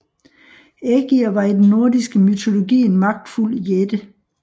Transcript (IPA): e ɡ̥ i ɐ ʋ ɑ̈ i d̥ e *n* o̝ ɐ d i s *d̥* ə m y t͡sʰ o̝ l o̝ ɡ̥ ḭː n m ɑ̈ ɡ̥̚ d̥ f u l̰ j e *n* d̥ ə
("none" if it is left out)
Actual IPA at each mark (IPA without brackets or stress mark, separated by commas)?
nː, ɡ̥, none